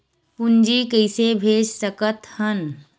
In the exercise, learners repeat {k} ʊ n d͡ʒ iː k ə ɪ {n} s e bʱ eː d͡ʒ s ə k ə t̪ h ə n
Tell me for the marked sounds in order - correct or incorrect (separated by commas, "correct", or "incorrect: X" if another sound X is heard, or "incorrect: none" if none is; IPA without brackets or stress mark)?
incorrect: p, incorrect: none